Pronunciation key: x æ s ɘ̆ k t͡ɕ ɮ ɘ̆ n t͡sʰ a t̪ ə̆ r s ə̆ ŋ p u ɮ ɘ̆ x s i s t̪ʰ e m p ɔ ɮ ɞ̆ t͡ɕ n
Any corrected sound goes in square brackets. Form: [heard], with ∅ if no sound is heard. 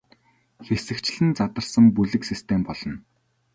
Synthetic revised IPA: x [e] s ɘ̆ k t͡ɕ ɮ ɘ̆ n [t͡s] a t̪ ə̆ r s ə̆ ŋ p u ɮ ɘ̆ [k] s i s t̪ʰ e m p ɔ ɮ ɞ̆ [∅] n